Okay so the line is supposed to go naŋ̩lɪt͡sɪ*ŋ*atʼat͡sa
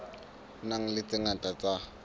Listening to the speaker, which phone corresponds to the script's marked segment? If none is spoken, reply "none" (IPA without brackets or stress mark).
ŋ